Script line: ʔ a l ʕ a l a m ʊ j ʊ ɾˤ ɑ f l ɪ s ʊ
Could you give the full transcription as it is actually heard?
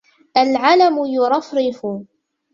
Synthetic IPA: ʔ a l ʕ a l a m ʊ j ʊ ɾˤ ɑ f ɾ ɪ f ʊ